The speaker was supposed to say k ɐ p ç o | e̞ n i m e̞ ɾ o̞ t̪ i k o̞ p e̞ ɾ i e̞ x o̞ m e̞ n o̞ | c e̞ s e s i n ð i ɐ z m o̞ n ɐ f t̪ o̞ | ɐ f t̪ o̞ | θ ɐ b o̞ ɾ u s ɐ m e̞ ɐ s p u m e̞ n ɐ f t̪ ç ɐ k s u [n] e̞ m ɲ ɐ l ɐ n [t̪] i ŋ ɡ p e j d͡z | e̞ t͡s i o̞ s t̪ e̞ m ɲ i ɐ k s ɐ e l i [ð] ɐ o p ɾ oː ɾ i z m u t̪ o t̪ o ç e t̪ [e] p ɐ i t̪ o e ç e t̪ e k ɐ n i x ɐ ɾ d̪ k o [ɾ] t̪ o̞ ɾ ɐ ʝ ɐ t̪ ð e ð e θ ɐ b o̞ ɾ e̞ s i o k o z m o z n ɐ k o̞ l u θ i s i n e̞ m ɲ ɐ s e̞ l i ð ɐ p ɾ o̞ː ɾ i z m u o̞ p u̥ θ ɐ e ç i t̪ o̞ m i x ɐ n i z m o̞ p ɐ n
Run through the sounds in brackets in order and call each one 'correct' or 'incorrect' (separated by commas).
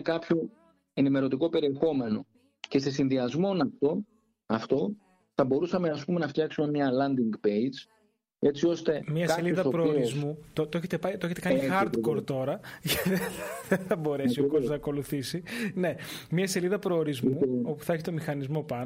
incorrect, incorrect, correct, correct, correct